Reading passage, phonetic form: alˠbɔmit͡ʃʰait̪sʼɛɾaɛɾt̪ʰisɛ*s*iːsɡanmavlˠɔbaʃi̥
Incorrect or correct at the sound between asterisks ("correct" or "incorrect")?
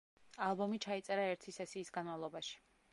correct